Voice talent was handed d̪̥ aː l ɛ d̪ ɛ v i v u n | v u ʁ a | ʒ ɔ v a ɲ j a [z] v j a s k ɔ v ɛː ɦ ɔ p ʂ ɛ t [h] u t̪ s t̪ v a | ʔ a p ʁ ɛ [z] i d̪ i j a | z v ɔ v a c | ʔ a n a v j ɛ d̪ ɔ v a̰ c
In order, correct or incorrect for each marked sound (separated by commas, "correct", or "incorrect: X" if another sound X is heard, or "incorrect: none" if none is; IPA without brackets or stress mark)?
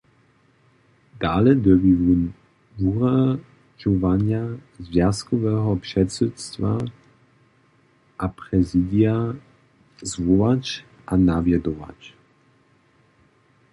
correct, incorrect: s, correct